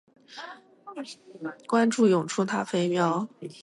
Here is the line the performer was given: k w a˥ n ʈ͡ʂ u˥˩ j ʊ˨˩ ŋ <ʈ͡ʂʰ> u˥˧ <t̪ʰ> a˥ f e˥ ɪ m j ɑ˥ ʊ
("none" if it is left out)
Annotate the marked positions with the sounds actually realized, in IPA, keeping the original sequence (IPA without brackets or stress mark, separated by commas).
ʈ͡ʂʰ, t̪ʰ